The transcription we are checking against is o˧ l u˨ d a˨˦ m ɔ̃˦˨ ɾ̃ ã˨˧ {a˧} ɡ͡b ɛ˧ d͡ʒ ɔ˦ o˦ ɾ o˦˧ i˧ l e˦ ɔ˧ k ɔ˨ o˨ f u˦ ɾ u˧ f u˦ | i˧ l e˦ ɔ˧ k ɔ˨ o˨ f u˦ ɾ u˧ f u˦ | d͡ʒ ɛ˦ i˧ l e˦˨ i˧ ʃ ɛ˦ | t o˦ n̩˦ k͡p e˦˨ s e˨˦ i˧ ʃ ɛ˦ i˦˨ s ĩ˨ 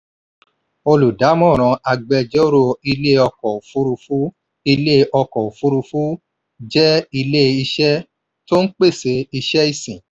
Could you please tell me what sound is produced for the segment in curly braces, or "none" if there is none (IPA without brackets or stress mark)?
a˧